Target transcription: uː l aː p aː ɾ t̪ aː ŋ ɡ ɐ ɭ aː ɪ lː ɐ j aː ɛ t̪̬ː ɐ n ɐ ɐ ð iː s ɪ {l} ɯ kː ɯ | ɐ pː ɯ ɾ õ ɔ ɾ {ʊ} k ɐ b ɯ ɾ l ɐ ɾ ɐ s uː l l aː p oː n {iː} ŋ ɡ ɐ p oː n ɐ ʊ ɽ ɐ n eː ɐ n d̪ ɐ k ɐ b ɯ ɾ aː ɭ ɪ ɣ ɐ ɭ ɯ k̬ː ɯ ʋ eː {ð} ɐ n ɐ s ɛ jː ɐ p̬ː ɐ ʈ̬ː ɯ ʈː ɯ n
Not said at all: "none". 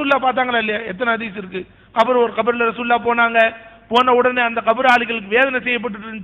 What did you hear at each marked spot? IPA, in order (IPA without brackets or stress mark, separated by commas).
ɾ, ɯ, aː, ð